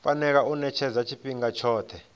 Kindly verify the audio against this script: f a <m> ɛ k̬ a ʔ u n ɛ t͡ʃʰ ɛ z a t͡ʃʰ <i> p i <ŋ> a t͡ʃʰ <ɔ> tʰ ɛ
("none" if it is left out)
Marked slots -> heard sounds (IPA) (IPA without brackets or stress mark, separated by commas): n, i, ŋ, ɔː